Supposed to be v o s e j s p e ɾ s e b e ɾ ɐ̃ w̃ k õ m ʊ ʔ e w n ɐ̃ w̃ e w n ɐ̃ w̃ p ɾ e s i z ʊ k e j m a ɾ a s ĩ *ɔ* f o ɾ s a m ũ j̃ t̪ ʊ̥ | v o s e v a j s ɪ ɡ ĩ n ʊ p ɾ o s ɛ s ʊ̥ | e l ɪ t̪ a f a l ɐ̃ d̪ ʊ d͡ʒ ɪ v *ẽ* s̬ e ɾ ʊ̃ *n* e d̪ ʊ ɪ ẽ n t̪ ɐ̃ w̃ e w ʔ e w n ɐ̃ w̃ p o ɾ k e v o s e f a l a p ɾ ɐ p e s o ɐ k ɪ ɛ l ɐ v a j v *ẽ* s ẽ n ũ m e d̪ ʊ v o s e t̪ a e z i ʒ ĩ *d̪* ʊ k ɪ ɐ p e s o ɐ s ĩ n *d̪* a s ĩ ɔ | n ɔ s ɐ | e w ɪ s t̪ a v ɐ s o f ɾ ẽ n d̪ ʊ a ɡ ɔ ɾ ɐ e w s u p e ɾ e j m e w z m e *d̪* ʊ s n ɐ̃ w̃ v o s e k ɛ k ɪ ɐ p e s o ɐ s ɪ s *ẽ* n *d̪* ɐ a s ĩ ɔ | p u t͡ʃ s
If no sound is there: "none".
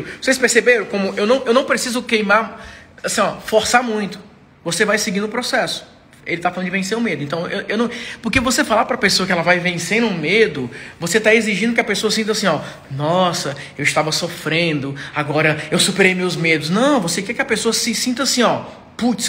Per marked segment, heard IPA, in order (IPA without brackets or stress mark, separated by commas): ɔ, ẽ, m, ẽ, d̪, t̪, d̪, ĩ, t̪